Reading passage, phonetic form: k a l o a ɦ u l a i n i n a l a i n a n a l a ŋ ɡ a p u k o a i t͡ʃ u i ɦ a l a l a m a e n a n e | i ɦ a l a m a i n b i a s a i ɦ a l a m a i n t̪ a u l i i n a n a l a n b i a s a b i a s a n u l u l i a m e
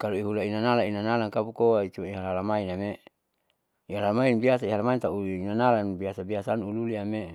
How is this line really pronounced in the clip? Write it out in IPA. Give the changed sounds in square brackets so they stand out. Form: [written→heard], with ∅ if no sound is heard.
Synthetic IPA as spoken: k a l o [a→i] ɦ u l a i n [i→a] n a l a i n a n a l a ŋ [ɡ→k] a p u k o a i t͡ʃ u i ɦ a l a l a m a [e→i] n a [n→m] e | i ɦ a l a m a i n b i a s a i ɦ a l a m a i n t̪ a u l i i n a n a l a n b i a s a b i a s a n u l u l i a m e